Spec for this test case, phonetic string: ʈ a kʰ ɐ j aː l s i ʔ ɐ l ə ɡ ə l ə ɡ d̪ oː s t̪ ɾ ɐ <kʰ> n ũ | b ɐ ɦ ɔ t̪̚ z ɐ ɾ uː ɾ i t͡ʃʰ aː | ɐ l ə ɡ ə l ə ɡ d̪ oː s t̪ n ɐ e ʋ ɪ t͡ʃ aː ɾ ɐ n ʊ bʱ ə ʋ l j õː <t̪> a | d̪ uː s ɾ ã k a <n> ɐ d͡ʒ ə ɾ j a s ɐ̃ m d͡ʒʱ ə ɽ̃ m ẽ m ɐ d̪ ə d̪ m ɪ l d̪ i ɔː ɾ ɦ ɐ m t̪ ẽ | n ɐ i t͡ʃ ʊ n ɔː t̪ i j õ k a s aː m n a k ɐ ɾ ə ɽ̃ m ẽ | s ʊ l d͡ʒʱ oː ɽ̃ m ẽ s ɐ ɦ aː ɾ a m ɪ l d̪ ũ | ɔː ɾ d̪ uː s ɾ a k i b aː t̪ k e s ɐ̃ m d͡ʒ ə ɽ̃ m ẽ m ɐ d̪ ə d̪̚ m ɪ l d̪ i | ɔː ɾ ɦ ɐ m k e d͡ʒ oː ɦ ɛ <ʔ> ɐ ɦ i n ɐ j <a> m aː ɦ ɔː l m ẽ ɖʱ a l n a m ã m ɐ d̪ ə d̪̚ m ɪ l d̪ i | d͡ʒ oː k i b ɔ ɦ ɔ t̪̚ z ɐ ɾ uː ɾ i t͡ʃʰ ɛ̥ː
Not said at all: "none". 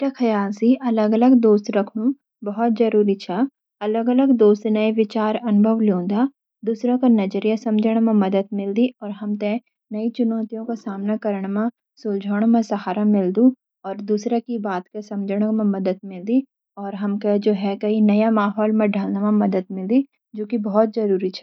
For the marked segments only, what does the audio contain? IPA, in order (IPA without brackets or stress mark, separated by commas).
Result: kʰ, d̪, n, k, a